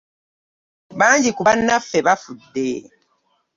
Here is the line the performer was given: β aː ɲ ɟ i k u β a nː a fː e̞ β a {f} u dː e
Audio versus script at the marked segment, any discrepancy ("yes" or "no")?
no